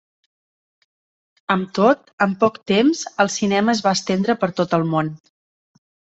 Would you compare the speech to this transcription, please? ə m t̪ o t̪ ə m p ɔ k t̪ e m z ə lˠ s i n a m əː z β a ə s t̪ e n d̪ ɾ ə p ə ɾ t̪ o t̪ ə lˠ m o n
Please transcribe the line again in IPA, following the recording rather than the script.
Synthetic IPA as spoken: ə m t̪ o t̪ ə m p ɔ k t̪ e m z ə lˠ s i n ɛ m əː z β a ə s t̪ e n d̪ ɾ ə p ə ɾ t̪ o t̪ ə lˠ m o n